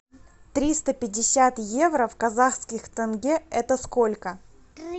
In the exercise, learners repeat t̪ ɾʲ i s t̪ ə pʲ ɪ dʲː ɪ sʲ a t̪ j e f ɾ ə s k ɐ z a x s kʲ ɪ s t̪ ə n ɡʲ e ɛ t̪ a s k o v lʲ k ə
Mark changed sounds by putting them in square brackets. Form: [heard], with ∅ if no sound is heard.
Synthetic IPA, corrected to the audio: t̪ ɾʲ i s t̪ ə pʲ ɪ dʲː ɪ sʲ a t̪ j e [v] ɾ ə [f] k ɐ z a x s kʲ ɪ [x] t̪ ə n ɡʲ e ɛ t̪ [ə] s k o [∅] lʲ k ə